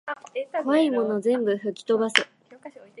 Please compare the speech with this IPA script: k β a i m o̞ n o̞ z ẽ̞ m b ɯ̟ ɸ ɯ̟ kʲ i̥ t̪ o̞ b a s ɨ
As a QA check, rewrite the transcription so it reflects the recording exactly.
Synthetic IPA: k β a i m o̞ n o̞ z ẽ̞ m b ɯ̟ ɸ ɯ̟ kʲ i̥ t̪ o̞ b a s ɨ